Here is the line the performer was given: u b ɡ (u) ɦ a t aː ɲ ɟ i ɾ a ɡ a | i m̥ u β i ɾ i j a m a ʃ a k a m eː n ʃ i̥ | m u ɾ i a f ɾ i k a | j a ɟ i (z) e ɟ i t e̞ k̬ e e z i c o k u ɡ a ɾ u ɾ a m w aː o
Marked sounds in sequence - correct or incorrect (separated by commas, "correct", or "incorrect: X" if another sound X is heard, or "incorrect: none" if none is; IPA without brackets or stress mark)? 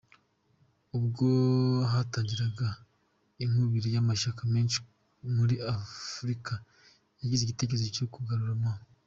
incorrect: o, correct